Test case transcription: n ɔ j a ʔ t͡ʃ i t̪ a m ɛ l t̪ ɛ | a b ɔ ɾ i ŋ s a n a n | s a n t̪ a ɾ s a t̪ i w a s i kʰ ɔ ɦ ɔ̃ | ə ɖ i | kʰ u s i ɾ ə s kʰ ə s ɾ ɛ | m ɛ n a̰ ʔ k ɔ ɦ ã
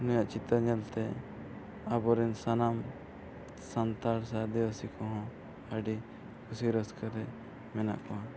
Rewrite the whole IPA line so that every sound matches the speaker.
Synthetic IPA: n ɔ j a ʔ t͡ʃ i t̪ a ɲ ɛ l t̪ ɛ | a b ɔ ɾ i n s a n a m | s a n t̪ a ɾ s a d̪ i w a s i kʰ ɔ ɦ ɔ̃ | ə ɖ i | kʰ u s i ɾ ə s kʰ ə ɾ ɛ | m ɛ n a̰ ʔ k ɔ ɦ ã